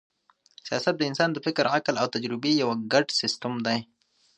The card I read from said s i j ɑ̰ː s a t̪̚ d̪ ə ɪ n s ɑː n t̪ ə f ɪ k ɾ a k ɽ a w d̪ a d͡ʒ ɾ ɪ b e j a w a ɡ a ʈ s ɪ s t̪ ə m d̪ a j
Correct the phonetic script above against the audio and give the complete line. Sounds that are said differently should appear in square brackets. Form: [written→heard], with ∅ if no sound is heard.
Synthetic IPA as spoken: s i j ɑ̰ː s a t̪̚ d̪ ə ɪ n s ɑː n [t̪→d̪] ə f ɪ k ɾ a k [ɽ→l] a w [d̪→t̪] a d͡ʒ ɾ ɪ b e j a w a ɡ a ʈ s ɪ s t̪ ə m d̪ a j